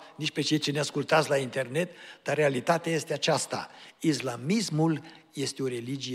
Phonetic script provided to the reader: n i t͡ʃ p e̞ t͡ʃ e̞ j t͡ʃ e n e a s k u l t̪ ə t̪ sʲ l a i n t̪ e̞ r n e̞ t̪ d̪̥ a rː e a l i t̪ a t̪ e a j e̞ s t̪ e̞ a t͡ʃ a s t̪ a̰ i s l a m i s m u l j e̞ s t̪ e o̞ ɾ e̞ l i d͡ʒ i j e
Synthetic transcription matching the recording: n i t͡ʃ p e̞ t͡ʃ e̞ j t͡ʃ e n e a s k u l t̪ a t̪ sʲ l a i n t̪ e̞ r n e̞ t̪ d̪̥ a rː e a l i t̪ a t̪ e a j e̞ s t̪ e̞ a t͡ʃ a s t̪ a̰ i s l a m i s m u l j e̞ s t̪ e o̞ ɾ e̞ l i d͡ʒ i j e